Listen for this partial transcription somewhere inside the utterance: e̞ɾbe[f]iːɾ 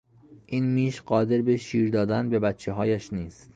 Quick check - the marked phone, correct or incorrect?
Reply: incorrect